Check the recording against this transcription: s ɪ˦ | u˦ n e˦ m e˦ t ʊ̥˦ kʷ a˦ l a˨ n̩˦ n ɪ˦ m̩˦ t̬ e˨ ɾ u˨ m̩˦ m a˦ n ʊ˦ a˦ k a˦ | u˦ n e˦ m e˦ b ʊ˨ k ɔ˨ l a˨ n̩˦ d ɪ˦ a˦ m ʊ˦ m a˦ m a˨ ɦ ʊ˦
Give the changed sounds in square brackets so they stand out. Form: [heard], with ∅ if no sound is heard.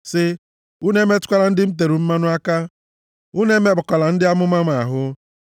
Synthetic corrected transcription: s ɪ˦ | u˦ n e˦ m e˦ t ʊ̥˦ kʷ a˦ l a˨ n̩˦ [d] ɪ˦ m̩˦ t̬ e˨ ɾ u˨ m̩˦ m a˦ n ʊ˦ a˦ k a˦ | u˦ n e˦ m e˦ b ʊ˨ k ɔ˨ l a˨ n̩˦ d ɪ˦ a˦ m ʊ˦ m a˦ m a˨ ɦ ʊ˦